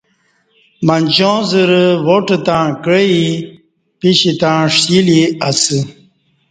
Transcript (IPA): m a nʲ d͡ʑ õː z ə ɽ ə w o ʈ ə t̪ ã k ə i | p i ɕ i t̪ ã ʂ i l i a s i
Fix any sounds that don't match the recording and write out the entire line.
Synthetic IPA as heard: m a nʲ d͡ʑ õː z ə ɾ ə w o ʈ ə t̪ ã k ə i | p i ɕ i t̪ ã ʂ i l i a s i